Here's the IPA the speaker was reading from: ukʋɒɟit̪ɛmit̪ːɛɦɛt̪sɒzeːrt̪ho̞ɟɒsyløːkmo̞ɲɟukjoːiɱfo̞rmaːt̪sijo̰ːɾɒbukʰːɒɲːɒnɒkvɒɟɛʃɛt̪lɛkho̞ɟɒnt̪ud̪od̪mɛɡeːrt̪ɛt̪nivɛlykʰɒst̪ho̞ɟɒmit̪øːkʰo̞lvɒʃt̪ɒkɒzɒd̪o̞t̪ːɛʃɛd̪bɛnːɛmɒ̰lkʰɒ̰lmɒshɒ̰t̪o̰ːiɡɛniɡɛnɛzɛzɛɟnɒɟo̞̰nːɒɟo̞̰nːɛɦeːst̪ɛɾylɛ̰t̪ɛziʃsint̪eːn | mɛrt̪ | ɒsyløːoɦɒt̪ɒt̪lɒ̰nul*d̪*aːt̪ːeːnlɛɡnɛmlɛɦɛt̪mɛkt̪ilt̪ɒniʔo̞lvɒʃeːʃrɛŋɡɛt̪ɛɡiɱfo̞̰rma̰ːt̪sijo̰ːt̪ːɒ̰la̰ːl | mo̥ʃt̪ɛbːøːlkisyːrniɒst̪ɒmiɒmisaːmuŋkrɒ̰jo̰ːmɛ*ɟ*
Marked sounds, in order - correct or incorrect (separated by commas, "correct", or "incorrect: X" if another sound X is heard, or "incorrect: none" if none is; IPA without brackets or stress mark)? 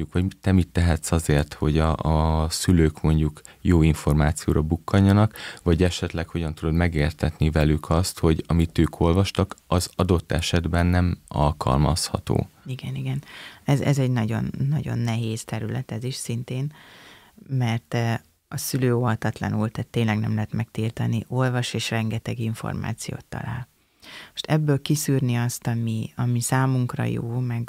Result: incorrect: t̪, incorrect: ɡ